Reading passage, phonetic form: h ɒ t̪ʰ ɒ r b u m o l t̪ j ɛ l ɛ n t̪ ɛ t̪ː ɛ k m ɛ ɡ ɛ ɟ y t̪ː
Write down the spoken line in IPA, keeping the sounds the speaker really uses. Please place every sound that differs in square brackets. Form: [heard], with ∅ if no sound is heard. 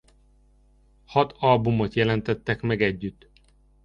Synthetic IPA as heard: h ɒ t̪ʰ ɒ [l] b u m o [∅] t̪ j ɛ l ɛ n t̪ ɛ t̪ː ɛ k m ɛ ɡ ɛ [ɟː] y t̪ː